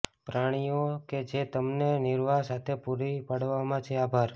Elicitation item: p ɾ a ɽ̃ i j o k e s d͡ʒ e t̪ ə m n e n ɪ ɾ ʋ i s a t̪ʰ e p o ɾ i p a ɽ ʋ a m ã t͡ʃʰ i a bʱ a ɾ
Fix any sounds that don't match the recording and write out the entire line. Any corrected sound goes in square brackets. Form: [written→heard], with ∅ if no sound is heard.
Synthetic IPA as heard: p ɾ a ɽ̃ i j o k e [s→∅] d͡ʒ e t̪ ə m n e n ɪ ɾ ʋ [i→a] s a t̪ʰ e p [o→u] ɾ i p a ɽ ʋ a m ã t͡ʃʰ [i→e] a bʱ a ɾ

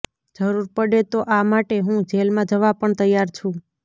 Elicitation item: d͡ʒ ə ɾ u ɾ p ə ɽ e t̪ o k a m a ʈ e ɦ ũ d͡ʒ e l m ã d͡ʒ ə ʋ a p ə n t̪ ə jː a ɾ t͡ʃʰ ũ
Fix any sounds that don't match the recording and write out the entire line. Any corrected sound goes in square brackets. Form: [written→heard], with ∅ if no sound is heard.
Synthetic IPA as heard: d͡ʒ ə ɾ u ɾ p ə ɽ e t̪ o [k→ʔ] a m a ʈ e ɦ ũ d͡ʒ e l m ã d͡ʒ ə ʋ a p ə [n→ɳ] t̪ ə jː a ɾ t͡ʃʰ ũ

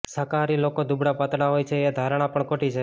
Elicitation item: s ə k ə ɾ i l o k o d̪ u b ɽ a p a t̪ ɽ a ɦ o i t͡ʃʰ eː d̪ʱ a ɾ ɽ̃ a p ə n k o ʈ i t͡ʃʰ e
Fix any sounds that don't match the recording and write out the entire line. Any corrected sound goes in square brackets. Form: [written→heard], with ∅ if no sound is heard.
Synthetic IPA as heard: s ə k [ə→a] ɾ i l o k o d̪ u b ɽ a p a t̪ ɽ a ɦ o [i→j] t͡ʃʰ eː d̪ʱ a ɾ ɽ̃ a p ə [n→ɳ] k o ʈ i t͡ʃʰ e

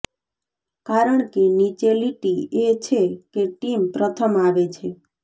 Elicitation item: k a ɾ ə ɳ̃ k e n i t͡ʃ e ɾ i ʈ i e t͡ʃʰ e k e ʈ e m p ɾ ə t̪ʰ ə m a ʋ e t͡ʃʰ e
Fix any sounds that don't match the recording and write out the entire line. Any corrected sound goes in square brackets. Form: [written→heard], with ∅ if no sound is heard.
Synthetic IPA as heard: k a ɾ ə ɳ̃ k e n i t͡ʃ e [ɾ→l] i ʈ i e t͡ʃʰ e k e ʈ [e→i] m p ɾ ə t̪ʰ ə m a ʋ e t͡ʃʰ e

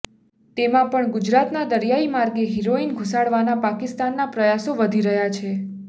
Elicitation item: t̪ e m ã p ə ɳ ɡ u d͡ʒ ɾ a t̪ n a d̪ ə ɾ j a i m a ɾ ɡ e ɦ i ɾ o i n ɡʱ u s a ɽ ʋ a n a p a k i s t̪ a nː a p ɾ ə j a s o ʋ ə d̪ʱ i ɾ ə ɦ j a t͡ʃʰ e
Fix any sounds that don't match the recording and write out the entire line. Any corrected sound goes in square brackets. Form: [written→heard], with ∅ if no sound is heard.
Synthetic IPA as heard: t̪ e m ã p ə ɳ ɡ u d͡ʒ ɾ a t̪ n a d̪ ə ɾ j a i m a ɾ ɡ e ɦ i ɾ o i n ɡʱ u s a ɽ ʋ a n a p a k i s t̪ a nː a p ɾ ə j a s o ʋ ə d̪ʱ i ɾ ə ɦ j a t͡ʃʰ e

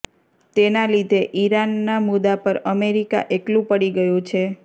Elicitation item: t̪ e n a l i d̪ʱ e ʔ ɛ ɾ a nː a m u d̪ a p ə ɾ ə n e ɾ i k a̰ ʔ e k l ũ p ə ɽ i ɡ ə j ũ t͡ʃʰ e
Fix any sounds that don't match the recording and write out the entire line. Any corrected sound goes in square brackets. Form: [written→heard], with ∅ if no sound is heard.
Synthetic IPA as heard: t̪ e n a l i d̪ʱ e ʔ [ɛ→i] ɾ a nː a m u d̪ a p ə ɾ ə [n→m] e ɾ i k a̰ ʔ e k l ũ p ə ɽ i ɡ ə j ũ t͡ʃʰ e

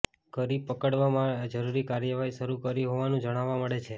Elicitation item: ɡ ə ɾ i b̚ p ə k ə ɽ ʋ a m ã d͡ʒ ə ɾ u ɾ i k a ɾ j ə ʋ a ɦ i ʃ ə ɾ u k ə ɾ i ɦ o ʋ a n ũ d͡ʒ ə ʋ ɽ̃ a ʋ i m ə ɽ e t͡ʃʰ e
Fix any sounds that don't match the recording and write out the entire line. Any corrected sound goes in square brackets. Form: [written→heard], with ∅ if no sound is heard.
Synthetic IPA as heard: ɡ ə ɾ i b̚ p ə k ə ɽ ʋ a m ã d͡ʒ ə ɾ u ɾ i k a ɾ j ə ʋ a ɦ i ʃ ə ɾ u k ə ɾ i ɦ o ʋ a n ũ d͡ʒ ə [ʋ→∅] ɽ̃ a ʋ [i→a] m ə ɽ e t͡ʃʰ e

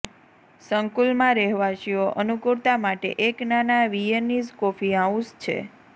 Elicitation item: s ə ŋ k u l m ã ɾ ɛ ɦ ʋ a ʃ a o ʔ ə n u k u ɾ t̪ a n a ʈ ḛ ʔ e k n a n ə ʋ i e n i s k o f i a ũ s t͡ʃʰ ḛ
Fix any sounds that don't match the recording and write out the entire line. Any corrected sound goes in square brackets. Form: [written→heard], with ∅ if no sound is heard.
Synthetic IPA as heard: s ə ŋ k u l m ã ɾ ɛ ɦ ʋ a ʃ [a→i] o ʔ ə n u k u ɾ t̪ a [n→m] a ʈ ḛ ʔ e k n a n [ə→a] ʋ i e n i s k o f i a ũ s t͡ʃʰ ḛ

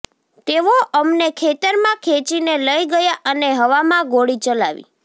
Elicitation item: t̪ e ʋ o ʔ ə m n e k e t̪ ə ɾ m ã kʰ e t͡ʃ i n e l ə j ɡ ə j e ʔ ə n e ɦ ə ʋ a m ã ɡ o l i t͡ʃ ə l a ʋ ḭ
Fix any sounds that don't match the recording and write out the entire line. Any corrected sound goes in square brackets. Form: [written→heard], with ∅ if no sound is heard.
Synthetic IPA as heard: t̪ e ʋ o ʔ ə m n e [k→kʰ] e t̪ ə ɾ m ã kʰ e t͡ʃ i n e l ə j ɡ ə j [e→a] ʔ ə n e ɦ ə ʋ a m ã ɡ o [l→ɽ] i t͡ʃ ə l a ʋ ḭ

